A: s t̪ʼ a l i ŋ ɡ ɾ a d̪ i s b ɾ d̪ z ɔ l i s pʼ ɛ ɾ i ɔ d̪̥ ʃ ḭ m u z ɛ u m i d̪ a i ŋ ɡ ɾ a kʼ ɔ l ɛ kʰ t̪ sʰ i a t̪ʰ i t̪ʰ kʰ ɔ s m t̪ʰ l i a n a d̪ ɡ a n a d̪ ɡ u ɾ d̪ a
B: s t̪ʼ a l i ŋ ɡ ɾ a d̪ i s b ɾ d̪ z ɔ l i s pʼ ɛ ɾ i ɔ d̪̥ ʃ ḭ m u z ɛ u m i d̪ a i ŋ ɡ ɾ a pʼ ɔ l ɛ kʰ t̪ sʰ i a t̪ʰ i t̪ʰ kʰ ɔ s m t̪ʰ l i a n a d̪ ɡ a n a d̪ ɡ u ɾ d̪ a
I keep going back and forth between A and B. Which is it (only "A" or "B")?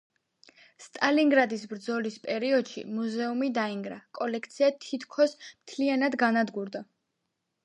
A